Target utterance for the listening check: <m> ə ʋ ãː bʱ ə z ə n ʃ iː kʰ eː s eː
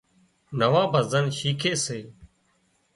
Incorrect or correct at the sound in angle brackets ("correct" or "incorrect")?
incorrect